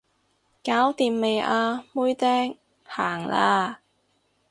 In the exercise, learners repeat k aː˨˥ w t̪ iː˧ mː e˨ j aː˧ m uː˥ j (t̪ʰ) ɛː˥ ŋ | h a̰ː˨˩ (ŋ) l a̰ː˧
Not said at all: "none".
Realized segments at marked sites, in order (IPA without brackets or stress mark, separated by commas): t̪, ŋ